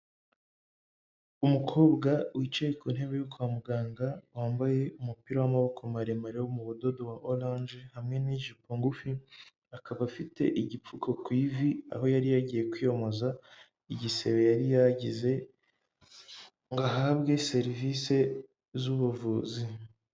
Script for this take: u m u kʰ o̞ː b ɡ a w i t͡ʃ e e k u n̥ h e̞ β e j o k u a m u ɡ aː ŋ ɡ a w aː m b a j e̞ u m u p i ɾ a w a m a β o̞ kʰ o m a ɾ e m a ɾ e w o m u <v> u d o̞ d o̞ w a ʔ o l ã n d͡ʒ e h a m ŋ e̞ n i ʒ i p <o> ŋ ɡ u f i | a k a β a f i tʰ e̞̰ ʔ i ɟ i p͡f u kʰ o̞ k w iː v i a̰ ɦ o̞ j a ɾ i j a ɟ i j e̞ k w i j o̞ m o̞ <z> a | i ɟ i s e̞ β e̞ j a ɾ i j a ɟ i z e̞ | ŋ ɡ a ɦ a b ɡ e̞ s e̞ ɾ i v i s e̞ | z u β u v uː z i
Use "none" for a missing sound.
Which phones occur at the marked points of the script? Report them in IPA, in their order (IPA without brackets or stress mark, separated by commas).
β, o, z